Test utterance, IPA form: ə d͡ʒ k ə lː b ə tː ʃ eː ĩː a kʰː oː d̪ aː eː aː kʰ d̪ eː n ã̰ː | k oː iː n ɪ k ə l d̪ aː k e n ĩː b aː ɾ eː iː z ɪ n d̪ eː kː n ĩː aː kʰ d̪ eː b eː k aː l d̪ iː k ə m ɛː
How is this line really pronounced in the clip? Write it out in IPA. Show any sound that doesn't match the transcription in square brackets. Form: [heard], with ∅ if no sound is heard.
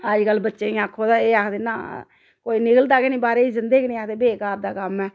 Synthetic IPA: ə d͡ʒ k ə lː b ə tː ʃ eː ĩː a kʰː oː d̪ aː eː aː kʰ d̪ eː n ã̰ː | k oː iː n ɪ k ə l d̪ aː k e n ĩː b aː ɾ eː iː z ɪ n d̪ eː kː n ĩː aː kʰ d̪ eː b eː k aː [ɾ] d̪ [aː] k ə m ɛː